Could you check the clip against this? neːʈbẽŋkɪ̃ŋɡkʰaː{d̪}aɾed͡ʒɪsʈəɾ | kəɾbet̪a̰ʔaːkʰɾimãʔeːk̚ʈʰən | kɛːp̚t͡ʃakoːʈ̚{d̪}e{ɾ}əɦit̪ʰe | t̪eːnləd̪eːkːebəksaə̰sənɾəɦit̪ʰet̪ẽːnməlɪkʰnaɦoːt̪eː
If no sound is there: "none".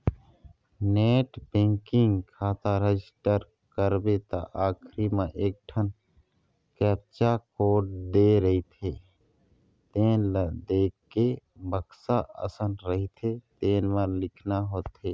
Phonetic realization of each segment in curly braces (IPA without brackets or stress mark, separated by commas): t̪, d̪, ɾ